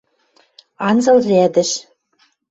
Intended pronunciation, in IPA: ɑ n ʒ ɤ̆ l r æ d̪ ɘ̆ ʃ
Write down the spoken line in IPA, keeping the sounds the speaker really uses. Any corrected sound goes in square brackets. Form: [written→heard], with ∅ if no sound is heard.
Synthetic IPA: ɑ n [ʒ→z] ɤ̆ l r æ d̪ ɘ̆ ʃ